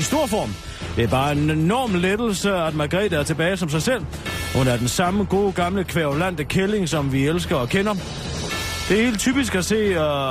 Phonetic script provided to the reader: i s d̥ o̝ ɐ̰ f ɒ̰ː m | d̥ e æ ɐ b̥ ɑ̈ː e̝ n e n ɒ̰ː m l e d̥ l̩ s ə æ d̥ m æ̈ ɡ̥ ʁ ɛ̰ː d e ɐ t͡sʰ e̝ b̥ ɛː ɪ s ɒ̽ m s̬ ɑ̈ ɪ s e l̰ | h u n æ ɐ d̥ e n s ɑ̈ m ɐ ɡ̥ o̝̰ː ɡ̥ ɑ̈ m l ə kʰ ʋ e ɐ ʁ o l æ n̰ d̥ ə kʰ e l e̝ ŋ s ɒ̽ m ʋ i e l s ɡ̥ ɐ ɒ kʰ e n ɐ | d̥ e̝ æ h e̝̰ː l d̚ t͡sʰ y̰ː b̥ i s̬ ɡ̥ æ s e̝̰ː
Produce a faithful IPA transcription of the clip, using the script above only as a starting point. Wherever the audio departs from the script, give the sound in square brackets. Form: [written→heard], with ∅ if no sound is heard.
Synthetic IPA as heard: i s d̥ o̝ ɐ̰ f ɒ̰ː m | d̥ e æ ɐ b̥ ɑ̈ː e̝ n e n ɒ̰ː m l e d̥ l̩ s ə æ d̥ m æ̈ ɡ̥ ʁ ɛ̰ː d [e→æ] ɐ t͡sʰ e̝ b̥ ɛː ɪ s ɒ̽ m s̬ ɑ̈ ɪ s e l̰ | h u n æ ɐ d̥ e n s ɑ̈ m [ɐ→ə] ɡ̥ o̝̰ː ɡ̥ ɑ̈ m l ə kʰ ʋ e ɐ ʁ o l æ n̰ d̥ ə kʰ e l e̝ ŋ s ɒ̽ m ʋ i e l s ɡ̥ ɐ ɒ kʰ e n ɐ | d̥ e̝ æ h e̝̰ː l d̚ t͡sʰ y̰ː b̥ i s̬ ɡ̥ æ s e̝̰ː